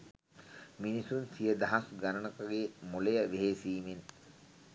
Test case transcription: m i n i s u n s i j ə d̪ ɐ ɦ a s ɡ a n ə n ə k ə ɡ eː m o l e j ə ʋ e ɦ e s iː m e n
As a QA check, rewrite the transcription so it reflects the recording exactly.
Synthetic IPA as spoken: m i n i s u n s i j ə d̪ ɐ ɦ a s ɡ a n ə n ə k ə ɡ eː m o l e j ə ʋ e ɦ e s iː m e n